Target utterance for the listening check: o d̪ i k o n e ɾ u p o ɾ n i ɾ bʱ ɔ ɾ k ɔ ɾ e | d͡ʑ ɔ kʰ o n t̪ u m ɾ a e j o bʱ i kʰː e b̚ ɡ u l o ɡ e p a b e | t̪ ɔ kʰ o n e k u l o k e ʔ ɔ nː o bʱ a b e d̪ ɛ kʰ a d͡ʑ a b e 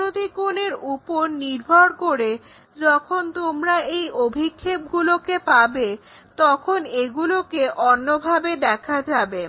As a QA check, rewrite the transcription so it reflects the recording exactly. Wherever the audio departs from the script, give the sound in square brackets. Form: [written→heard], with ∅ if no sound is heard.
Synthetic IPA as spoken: o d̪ i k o n e ɾ u p o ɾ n i ɾ bʱ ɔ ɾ k [ɔ→o] ɾ e | d͡ʑ ɔ kʰ o n t̪ [u→o] m ɾ a e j o bʱ i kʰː e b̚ ɡ u l o [ɡ→k] e p a b e | t̪ ɔ kʰ o n e [k→ɡ] u l o k e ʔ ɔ nː o bʱ a b e d̪ ɛ kʰ a d͡ʑ a b e